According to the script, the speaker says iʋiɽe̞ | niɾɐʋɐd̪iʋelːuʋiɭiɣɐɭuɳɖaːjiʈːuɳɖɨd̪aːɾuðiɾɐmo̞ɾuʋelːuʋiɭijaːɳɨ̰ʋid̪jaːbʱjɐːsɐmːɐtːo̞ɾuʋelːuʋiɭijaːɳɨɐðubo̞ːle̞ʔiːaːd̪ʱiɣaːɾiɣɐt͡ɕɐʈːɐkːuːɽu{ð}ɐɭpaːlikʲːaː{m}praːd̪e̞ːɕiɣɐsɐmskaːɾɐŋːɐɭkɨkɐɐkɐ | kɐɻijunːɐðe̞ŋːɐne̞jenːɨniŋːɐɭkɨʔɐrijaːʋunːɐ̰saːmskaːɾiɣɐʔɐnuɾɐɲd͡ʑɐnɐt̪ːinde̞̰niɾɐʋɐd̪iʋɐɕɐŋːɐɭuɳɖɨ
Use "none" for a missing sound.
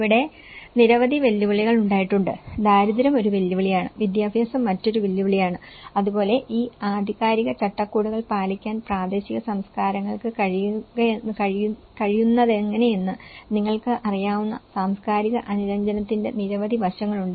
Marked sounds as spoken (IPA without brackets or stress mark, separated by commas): ɣ, n